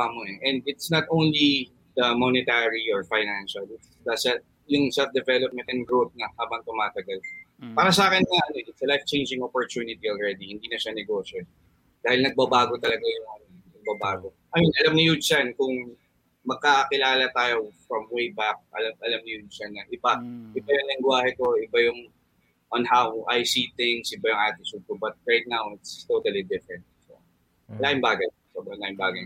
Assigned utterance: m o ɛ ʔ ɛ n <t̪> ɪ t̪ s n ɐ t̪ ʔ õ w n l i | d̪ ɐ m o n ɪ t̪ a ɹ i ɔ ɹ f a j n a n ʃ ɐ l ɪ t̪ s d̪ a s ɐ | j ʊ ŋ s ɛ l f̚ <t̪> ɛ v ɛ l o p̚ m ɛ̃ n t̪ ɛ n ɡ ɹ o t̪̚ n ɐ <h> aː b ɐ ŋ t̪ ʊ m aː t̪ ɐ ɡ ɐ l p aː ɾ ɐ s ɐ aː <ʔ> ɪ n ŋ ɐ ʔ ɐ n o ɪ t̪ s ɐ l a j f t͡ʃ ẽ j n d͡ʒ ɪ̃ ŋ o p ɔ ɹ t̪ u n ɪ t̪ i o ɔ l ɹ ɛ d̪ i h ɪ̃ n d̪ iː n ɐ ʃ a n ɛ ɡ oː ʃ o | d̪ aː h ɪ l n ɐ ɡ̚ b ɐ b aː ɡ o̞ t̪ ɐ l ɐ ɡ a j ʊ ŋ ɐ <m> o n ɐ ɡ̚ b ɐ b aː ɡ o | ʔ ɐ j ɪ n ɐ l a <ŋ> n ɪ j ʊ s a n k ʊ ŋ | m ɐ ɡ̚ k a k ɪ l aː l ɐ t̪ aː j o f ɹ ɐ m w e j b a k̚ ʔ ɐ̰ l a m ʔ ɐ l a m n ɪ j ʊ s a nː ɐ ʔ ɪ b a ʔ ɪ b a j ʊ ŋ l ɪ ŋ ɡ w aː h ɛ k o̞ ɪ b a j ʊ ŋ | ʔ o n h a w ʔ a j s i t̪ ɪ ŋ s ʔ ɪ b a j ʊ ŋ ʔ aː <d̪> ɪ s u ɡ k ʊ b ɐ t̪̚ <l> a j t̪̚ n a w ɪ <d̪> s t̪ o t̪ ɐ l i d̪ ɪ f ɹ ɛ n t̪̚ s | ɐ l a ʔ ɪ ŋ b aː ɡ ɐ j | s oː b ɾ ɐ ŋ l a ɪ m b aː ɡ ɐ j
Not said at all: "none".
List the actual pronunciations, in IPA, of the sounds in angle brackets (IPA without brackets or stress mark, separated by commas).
d̪, d̪, h, k, n, m, t̪, ɹ, t̪